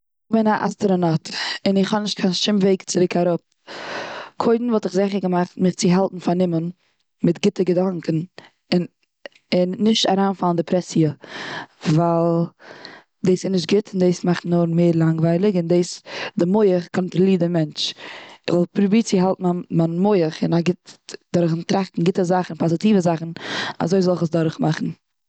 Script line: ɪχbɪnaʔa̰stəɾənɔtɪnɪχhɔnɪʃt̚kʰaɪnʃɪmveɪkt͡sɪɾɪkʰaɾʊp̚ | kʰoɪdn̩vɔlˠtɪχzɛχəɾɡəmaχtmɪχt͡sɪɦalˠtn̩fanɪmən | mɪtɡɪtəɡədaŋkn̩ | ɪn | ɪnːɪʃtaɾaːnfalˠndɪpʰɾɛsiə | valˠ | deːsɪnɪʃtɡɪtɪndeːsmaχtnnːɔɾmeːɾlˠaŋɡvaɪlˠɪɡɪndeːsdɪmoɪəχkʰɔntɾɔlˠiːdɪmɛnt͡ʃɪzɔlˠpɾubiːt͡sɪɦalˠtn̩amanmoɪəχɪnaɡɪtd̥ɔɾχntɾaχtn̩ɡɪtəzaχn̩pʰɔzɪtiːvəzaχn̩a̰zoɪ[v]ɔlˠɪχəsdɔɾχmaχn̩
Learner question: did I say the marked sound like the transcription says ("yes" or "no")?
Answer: no